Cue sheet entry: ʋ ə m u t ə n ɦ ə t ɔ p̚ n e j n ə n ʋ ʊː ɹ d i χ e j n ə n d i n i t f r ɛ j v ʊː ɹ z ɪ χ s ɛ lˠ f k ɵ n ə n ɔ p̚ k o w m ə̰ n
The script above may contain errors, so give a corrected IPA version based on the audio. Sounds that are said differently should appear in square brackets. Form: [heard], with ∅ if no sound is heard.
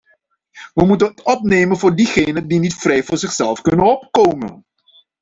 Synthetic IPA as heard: ʋ ə m u t ə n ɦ ə t ɔ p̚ n e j [m] ə n [v] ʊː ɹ d i χ e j n ə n d i n i t f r ɛ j v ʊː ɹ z ɪ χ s ɛ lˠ f k ɵ n ə n ɔ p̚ k o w m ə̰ n